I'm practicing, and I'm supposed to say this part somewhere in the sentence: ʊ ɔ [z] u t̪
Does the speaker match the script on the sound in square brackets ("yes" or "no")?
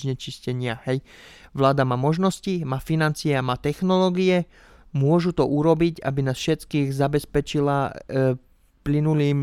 no